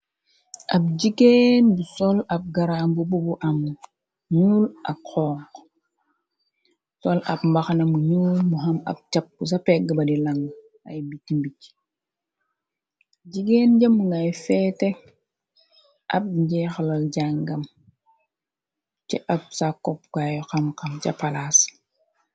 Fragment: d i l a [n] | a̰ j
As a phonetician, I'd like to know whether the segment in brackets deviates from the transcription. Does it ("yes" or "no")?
yes